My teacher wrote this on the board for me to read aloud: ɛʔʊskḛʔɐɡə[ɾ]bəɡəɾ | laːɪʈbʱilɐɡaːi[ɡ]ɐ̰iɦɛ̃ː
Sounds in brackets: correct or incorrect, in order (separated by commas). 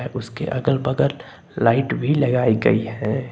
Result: incorrect, correct